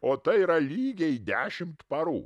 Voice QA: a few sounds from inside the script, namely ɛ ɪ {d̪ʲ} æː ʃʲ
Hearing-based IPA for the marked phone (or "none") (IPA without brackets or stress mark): d̪ʲ